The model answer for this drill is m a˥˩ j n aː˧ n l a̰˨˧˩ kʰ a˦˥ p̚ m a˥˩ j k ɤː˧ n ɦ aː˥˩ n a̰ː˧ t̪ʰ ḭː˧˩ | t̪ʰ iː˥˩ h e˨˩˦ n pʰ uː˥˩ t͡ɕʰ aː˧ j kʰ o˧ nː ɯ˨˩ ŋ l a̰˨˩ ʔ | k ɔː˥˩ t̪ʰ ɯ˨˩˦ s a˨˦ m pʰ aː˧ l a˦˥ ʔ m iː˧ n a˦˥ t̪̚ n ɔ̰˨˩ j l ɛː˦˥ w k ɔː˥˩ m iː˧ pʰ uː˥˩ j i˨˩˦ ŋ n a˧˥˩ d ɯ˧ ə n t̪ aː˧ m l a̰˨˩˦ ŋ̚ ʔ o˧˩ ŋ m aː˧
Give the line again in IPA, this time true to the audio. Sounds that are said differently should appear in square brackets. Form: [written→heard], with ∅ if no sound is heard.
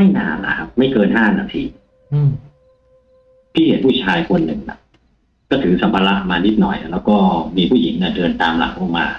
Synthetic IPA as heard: m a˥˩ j n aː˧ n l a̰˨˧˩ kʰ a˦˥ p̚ m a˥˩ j k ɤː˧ n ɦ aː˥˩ n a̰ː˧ t̪ʰ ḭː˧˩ | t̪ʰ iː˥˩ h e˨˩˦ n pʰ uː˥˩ t͡ɕʰ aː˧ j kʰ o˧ nː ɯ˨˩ ŋ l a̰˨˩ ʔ | k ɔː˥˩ t̪ʰ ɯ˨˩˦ s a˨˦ m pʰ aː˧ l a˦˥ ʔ m [iː˧→aː˧] n [a˦˥→i˦˥] t̪̚ n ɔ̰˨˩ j l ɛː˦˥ w k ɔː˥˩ m iː˧ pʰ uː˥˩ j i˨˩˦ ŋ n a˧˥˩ d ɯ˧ ə n t̪ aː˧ m l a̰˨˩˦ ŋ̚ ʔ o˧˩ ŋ m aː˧